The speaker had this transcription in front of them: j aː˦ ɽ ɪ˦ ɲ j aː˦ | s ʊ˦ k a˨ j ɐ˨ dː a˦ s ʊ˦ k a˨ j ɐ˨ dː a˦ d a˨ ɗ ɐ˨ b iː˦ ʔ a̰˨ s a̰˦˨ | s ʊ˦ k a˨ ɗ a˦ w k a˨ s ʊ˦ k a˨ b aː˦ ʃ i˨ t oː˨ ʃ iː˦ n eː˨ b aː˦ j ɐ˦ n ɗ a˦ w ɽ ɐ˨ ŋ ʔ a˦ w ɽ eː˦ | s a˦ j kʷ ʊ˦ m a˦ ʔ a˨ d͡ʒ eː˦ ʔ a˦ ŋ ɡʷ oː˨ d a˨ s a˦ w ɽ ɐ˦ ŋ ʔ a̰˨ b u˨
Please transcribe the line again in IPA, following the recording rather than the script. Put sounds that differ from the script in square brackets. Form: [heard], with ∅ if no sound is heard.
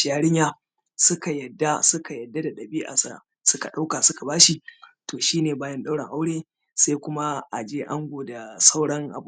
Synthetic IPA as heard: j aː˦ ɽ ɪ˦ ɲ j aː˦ | s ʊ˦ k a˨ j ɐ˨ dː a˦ s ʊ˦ k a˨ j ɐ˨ dː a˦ d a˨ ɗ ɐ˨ b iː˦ ʔ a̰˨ s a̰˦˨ | s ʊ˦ k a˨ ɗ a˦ w k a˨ s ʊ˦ k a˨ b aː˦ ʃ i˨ t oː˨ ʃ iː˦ n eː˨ b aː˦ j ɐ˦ n ɗ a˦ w ɽ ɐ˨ ŋ ʔ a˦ w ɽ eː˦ | s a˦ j kʷ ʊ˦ m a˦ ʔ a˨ d͡ʒ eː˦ ʔ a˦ ŋ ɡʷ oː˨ d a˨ s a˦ w ɽ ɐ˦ ŋ ʔ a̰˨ b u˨

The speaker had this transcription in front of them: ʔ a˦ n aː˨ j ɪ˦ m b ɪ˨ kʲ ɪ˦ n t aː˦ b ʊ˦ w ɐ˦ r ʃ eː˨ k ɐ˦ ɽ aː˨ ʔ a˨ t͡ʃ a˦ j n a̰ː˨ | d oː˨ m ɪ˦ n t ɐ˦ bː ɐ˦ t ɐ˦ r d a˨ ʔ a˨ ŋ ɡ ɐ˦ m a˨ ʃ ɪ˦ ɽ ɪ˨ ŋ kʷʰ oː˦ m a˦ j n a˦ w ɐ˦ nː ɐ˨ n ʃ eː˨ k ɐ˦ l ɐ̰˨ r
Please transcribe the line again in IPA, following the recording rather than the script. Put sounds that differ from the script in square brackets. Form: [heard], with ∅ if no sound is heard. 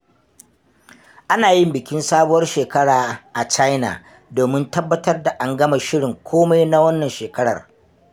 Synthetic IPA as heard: ʔ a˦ n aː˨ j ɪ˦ m b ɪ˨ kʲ ɪ˦ n [s] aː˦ b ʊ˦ w ɐ˦ r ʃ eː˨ k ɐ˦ ɽ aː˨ ʔ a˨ t͡ʃ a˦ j n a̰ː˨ | d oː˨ m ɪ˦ n t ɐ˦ bː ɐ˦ t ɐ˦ r d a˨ ʔ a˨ ŋ ɡ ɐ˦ m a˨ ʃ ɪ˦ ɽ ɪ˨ ŋ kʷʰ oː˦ m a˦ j n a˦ w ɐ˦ nː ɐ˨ n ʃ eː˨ k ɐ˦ [ɽ] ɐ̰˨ r

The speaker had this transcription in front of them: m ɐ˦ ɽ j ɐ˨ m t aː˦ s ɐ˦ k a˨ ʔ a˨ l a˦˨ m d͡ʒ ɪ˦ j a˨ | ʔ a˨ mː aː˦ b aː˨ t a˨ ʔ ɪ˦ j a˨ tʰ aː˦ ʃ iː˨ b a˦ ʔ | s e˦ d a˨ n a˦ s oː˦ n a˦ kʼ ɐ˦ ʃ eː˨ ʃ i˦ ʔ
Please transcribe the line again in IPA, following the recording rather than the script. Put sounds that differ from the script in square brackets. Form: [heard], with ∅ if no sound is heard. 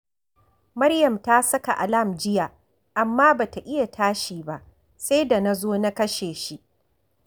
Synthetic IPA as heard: m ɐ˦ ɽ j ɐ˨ m t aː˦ s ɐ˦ k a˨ ʔ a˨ l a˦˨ m d͡ʒ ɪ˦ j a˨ | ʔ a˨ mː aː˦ b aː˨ t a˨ ʔ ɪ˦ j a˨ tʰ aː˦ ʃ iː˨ b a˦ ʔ | s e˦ d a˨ n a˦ [z] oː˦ n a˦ [k] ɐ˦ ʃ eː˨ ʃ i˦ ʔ

